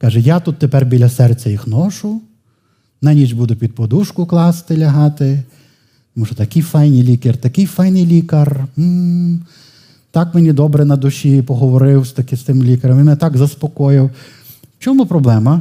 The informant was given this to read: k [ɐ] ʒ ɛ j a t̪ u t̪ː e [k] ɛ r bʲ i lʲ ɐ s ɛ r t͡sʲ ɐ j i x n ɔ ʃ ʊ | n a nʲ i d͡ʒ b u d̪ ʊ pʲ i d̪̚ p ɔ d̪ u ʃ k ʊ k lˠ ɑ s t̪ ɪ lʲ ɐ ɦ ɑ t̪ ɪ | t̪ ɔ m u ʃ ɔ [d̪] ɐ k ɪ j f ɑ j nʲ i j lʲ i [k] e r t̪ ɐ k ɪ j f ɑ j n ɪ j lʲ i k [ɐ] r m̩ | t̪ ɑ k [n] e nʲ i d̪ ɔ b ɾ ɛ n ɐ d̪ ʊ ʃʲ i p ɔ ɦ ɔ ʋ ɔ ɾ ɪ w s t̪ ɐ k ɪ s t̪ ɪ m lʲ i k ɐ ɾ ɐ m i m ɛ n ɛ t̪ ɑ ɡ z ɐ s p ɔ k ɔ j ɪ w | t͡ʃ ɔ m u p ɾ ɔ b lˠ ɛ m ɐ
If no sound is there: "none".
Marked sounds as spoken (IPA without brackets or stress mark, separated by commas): ɑ, p, t̪, k, ɐ, m